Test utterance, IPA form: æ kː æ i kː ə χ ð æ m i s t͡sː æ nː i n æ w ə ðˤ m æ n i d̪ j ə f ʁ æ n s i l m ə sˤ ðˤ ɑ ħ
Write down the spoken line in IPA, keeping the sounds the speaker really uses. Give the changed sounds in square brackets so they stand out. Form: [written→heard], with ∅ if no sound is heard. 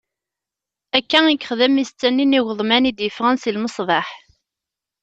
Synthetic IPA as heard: æ kː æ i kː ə χ ð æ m i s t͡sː æ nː i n [æ→i] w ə ðˤ m æ n i d̪ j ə f ʁ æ n s i l m ə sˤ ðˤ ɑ ħ